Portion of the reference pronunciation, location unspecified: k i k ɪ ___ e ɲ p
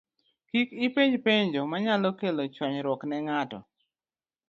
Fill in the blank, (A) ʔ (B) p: B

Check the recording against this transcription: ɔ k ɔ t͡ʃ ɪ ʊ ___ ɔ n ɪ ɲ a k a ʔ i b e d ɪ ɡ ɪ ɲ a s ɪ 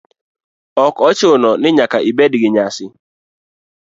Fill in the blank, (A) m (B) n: B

